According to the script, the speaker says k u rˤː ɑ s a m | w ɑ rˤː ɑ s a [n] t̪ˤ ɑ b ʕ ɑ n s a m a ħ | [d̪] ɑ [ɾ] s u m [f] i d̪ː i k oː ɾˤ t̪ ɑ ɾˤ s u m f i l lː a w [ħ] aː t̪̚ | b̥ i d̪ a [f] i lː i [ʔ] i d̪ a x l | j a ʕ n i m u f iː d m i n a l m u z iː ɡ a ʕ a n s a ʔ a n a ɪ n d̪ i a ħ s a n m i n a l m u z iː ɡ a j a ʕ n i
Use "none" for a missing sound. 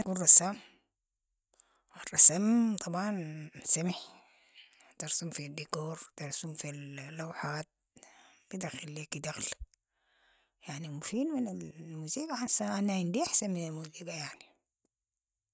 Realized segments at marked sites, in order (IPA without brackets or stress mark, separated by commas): m, t̪, ɾ, f, ħ, x, k